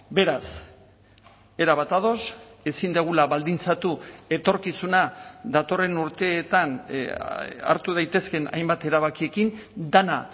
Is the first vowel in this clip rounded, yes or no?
no